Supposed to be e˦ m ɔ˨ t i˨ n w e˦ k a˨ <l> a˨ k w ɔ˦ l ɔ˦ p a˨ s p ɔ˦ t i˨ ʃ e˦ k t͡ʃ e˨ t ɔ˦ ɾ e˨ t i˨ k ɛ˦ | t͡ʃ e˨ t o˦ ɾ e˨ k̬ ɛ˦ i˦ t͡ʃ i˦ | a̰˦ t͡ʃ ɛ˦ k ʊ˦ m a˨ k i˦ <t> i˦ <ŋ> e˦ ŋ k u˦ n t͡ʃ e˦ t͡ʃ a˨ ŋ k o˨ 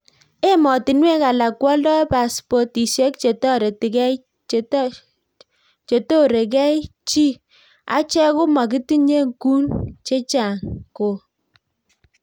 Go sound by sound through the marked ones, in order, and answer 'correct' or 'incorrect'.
correct, correct, incorrect: ɲ

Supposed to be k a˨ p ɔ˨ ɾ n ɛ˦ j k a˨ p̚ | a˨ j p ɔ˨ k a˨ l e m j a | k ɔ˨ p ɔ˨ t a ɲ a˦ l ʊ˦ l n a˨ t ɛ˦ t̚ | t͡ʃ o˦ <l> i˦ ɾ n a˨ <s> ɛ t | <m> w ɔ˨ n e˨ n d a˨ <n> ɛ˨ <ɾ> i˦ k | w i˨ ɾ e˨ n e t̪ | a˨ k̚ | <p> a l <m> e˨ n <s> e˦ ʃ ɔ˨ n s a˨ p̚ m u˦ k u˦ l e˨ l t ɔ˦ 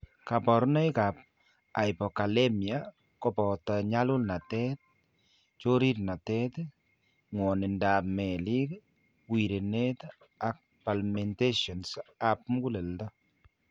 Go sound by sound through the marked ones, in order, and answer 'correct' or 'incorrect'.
incorrect: ɾ, incorrect: t, incorrect: ŋ, incorrect: m, incorrect: l, correct, correct, incorrect: t

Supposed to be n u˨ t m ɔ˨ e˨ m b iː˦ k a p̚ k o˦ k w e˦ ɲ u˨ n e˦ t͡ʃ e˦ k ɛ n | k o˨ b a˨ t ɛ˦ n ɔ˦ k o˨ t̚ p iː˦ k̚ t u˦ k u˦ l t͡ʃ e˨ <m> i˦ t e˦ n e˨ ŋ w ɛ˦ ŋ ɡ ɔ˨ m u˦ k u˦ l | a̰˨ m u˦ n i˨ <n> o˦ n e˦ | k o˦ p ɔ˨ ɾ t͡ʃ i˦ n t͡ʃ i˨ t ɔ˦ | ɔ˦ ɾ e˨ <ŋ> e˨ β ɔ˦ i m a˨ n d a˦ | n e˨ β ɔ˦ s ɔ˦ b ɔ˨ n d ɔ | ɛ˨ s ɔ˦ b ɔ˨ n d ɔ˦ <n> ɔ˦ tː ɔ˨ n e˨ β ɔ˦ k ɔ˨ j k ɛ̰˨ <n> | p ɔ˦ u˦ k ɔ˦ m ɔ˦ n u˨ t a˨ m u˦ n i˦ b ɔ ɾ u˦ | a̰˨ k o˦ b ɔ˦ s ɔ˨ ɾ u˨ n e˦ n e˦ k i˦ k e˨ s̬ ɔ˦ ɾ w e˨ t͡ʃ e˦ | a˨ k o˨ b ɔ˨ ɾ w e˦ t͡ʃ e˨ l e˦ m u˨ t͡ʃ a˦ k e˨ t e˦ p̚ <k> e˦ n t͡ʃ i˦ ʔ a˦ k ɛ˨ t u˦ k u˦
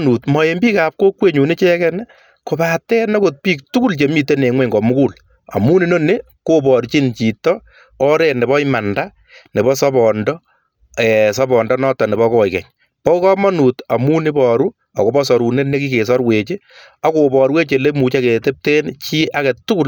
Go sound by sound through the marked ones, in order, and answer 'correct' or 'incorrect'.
correct, correct, incorrect: n, correct, incorrect: ɲ, incorrect: t

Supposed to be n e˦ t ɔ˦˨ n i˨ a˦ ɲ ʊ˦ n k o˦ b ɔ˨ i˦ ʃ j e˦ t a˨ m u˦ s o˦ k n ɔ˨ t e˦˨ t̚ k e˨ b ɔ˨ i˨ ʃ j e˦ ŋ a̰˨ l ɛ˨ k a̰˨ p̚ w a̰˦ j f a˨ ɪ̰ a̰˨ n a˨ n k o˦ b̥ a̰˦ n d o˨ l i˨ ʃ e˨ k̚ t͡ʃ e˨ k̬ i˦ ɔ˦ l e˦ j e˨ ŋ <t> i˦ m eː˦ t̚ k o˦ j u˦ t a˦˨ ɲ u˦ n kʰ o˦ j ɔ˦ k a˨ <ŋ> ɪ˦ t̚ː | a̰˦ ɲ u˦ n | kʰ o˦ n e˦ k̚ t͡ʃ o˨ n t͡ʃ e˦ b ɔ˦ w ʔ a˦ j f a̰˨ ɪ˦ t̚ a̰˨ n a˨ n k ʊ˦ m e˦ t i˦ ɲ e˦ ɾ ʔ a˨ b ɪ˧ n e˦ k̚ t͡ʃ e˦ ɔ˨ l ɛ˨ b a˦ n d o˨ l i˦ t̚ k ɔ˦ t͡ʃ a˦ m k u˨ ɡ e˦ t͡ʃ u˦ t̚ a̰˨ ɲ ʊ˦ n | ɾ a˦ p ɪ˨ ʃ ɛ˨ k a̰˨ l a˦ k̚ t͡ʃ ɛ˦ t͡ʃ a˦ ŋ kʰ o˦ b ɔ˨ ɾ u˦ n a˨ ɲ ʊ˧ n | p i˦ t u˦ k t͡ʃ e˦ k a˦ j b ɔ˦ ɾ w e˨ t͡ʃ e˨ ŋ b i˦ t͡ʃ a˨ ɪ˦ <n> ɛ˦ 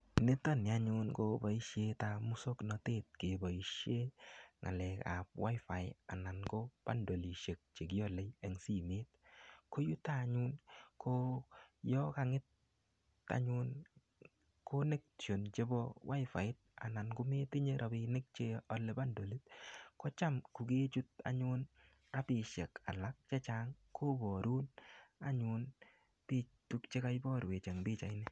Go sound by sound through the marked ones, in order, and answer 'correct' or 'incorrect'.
incorrect: s, correct, correct

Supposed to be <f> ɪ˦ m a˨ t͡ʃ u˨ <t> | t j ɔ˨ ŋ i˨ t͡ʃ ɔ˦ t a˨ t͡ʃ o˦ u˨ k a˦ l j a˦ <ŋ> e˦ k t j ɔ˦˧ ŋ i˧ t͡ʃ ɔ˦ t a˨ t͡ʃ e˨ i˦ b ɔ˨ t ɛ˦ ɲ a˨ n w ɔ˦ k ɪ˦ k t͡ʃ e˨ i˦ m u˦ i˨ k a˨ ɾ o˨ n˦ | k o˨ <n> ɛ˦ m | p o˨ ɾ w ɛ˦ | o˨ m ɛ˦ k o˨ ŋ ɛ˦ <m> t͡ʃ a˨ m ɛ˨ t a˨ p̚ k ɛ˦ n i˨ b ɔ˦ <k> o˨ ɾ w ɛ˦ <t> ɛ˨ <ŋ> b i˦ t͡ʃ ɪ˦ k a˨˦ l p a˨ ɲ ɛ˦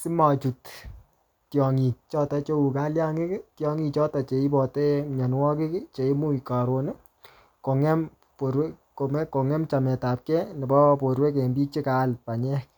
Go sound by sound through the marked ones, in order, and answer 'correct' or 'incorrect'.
incorrect: s, correct, correct, incorrect: ŋ, correct, incorrect: p, incorrect: k, incorrect: m

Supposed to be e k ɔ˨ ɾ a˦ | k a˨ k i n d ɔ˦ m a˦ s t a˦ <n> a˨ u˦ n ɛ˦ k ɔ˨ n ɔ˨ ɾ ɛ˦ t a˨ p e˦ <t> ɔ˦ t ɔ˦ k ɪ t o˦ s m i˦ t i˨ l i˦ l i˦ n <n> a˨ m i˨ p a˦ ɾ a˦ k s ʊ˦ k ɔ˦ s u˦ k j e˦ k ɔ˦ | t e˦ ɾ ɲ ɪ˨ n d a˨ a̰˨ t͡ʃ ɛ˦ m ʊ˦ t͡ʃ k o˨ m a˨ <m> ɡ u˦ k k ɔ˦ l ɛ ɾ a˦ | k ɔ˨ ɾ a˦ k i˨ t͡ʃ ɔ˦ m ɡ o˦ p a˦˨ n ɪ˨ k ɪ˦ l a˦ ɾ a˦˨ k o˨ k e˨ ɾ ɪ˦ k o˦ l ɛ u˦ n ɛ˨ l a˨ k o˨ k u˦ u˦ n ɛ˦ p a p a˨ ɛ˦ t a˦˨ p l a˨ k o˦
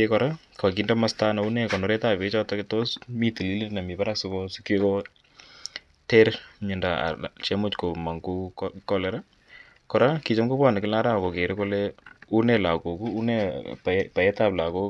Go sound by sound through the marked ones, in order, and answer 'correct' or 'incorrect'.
correct, incorrect: t͡ʃ, correct, incorrect: ŋ

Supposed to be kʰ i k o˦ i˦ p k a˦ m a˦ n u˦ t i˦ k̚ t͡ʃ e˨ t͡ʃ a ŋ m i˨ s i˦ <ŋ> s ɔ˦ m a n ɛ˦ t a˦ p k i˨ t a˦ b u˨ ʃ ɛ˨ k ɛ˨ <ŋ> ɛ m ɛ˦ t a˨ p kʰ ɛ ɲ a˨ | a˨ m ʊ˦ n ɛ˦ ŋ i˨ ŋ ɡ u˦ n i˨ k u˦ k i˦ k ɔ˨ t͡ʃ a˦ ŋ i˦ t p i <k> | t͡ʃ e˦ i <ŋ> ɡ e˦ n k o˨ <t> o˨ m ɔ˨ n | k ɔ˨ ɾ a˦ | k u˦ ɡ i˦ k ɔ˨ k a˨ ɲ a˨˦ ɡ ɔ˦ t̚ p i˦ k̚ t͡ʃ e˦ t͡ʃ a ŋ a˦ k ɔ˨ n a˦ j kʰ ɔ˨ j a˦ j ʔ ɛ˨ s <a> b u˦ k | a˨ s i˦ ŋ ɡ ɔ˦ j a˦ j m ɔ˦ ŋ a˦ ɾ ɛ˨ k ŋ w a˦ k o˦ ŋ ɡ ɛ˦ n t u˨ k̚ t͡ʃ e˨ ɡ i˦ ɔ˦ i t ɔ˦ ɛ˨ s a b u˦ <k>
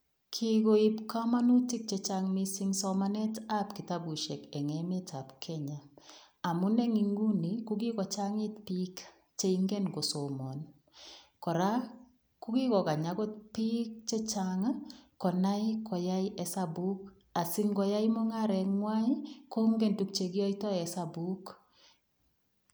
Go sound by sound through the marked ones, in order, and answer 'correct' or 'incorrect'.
correct, correct, correct, correct, incorrect: s, correct, correct

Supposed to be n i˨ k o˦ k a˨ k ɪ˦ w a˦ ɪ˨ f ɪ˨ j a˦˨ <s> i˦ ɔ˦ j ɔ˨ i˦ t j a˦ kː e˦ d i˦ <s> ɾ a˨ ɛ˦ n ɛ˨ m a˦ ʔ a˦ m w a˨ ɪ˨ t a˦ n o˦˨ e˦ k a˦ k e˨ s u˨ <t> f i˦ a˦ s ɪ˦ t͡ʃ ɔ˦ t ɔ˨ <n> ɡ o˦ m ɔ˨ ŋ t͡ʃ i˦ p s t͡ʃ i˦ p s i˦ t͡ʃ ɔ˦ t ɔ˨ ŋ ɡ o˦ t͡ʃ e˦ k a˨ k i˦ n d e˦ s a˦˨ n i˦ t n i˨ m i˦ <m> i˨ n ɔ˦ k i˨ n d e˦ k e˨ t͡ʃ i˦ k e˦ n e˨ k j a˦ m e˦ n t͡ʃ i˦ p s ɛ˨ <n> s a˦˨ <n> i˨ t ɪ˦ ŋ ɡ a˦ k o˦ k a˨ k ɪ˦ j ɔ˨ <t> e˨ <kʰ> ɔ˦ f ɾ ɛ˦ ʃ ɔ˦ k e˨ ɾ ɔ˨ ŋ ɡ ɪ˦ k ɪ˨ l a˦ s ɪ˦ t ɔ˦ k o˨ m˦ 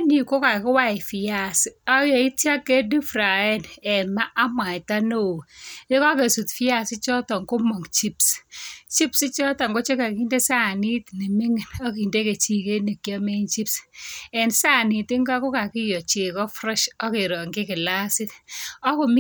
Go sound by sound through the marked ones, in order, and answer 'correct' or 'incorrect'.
correct, incorrect: f, correct, incorrect: ŋ, incorrect: ŋ, correct, correct, incorrect: t͡ʃ, incorrect: k

